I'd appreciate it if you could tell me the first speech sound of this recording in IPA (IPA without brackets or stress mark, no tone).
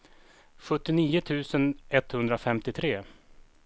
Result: ɧ